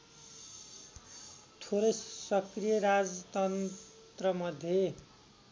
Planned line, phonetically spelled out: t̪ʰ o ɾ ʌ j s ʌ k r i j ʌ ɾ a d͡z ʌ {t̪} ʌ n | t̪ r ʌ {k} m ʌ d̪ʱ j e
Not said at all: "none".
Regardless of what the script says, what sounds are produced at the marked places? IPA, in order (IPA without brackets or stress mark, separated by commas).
t̪, none